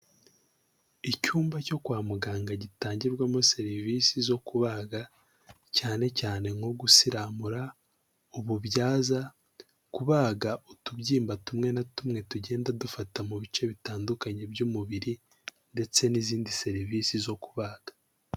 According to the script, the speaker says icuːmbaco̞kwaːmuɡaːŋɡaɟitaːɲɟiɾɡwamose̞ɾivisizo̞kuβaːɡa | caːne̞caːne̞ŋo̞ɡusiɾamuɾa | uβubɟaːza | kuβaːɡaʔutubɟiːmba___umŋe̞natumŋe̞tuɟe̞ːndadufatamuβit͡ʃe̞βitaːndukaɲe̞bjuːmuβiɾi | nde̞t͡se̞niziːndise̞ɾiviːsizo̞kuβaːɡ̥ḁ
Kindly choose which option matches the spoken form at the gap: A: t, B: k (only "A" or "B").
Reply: A